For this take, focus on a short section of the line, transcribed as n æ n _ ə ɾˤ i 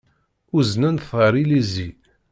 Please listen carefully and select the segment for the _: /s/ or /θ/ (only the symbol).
θ